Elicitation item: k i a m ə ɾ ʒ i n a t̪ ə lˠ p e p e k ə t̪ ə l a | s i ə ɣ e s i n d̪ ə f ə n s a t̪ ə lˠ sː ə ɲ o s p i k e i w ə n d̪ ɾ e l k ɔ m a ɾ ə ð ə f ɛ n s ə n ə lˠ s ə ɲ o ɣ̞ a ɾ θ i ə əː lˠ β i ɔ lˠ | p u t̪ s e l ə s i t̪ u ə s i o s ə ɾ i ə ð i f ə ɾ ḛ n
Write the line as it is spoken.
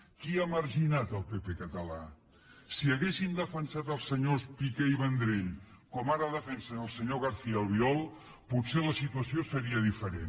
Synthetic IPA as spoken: k i a m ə ɾ ʒ i n a t̪ ə lˠ p e p e k ə t̪ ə l a | s i ə ɣ e s i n d̪ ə f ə n s a t̪ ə lˠ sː ə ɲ o s p i k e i β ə n d̪ ɾ e ʎ k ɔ m a ɾ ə ð ə f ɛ n s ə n ə lˠ s ə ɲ o ɣ̞ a ɾ θ i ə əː lˠ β i ɔ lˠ | p u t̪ s e l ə s i t̪ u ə s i o s ə ɾ i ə ð i f ə ɾ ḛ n